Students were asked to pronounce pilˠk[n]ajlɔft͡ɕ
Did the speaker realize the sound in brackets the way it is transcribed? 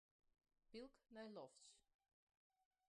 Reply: yes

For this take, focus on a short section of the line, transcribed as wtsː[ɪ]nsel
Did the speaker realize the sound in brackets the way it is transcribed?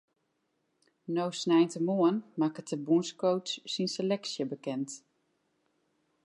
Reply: no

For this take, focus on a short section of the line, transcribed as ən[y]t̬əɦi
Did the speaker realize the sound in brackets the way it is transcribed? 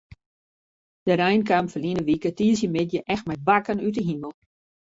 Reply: yes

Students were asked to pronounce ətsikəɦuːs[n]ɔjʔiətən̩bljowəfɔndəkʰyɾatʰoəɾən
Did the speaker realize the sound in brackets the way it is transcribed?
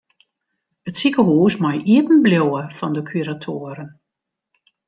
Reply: no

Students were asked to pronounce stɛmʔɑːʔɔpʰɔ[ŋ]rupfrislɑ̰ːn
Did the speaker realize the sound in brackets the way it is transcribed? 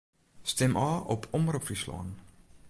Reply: no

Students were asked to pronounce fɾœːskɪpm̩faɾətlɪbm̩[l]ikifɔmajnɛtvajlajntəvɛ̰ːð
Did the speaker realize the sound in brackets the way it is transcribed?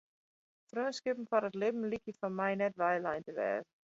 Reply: yes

